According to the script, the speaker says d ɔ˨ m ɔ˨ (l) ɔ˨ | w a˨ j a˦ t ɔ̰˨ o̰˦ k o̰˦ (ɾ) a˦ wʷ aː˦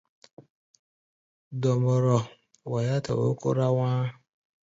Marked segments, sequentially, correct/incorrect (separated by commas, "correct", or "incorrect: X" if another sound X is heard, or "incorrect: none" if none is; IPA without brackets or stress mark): incorrect: ɾ, correct